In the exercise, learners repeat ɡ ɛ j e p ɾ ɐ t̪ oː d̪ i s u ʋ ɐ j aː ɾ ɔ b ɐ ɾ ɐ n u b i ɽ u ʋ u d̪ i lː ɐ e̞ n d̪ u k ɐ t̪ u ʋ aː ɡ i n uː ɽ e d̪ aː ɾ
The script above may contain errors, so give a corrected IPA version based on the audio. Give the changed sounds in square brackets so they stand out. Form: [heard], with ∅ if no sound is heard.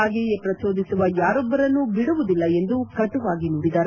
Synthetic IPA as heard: ɡ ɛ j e p ɾ ɐ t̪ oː d̪ i s u ʋ ɐ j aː ɾ ɔ [bː] ɐ ɾ ɐ [nː] u b i ɽ u ʋ u d̪ i lː ɐ e̞ n d̪ u k ɐ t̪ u ʋ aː ɡ i n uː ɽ [i] d̪ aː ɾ